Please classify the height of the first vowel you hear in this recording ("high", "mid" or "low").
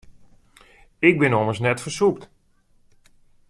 high